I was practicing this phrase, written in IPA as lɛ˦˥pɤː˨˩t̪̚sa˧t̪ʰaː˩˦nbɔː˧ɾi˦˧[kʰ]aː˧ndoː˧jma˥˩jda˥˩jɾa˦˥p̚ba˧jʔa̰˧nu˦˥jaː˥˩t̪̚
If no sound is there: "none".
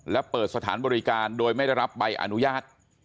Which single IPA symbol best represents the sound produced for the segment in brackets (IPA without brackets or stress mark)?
k